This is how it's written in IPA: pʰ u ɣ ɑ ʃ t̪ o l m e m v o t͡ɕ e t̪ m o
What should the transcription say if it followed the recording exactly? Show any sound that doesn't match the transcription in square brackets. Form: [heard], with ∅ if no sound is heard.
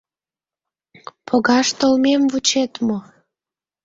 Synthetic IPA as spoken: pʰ [o] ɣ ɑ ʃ t̪ o l m e m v [u] t͡ɕ e t̪ m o

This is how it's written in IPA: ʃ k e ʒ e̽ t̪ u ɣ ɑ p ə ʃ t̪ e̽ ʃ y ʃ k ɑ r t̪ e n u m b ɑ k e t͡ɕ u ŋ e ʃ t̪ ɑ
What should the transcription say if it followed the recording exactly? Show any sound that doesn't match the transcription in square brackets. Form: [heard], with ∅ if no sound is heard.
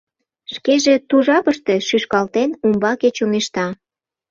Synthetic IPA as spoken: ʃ k e ʒ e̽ t̪ u [ʒ] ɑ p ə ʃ t̪ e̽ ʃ y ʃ k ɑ [l] t̪ e n u m b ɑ k e t͡ɕ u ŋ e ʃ t̪ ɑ

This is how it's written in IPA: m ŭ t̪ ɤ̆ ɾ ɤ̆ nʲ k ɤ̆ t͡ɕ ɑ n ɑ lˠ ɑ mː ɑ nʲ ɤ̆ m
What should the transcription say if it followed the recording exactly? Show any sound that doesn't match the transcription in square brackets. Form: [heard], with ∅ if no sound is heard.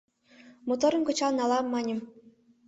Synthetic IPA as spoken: m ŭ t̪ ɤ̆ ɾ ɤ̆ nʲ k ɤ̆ t͡ɕ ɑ n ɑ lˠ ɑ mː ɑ nʲ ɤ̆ m

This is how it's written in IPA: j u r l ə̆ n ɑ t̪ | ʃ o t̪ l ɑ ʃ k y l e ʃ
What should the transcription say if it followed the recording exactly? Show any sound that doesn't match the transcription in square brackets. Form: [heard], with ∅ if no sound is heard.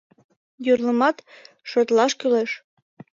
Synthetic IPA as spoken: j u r l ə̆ [m] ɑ t̪ | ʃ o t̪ l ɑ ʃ k y l e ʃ

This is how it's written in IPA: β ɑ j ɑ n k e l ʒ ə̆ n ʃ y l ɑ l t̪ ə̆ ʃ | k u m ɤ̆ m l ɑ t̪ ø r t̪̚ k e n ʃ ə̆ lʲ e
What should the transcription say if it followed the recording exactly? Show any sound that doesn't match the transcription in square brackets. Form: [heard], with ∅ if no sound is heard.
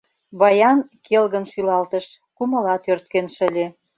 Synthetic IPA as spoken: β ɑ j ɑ n k e l [ɣ] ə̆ n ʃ y l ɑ l t̪ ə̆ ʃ | k u m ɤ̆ [∅] l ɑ t̪ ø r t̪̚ k e n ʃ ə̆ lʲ e

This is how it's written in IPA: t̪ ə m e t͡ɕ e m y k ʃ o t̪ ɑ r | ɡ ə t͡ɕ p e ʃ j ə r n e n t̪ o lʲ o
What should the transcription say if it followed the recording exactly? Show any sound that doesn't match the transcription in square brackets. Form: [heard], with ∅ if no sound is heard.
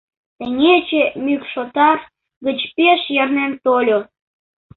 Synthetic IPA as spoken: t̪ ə [ŋ] e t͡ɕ e m y k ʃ o t̪ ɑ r | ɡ ə t͡ɕ p e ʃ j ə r n e n t̪ o lʲ o

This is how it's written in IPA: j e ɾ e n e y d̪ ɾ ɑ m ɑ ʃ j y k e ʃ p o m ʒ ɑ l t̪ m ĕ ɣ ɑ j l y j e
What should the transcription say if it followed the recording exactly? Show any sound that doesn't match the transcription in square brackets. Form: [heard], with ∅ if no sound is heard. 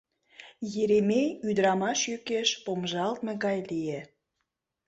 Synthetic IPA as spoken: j e ɾ e [m] e y d̪ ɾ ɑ m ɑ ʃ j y k e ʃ p o m ʒ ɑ l t̪ m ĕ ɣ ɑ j l [i] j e

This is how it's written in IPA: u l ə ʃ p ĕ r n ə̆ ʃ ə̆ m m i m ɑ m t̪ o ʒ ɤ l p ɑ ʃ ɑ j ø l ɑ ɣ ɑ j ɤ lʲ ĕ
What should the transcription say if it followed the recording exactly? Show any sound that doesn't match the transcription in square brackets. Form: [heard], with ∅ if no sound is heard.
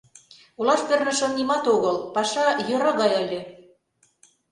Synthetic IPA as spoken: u l [ɑ] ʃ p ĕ r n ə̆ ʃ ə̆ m [n] i m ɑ [∅] t̪ o [ɣ] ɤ l p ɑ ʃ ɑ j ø [ɾ] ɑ ɣ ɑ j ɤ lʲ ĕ

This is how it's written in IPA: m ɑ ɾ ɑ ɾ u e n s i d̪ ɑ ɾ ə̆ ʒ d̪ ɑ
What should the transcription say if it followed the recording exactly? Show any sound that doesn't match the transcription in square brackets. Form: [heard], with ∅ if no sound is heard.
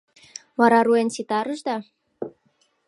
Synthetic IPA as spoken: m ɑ ɾ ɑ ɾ u e n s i [t̪] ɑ ɾ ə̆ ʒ d̪ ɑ

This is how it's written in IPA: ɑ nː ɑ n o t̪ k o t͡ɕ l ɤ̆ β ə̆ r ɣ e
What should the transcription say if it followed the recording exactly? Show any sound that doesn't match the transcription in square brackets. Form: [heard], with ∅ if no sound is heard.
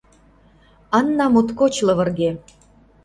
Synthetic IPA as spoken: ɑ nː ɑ [m] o t̪ k o t͡ɕ l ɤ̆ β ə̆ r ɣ e

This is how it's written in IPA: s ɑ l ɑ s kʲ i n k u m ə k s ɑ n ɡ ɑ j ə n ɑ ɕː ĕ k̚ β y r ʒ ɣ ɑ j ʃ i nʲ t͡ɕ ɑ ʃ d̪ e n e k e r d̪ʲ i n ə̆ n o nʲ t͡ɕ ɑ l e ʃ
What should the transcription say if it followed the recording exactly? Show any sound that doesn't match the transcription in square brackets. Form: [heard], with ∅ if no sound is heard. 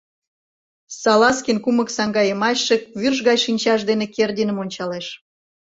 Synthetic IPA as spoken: s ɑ l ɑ s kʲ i n k u m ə k s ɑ [ŋ] ɡ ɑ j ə [m] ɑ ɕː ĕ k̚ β y r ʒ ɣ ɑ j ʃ i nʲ t͡ɕ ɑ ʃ d̪ e n e k e r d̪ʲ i n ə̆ [m] o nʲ t͡ɕ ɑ l e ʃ

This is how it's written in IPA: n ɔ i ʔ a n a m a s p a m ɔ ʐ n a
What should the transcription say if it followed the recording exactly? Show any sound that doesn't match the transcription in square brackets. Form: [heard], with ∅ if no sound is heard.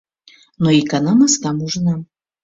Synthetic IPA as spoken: n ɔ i [k] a n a m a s [k] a m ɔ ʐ n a

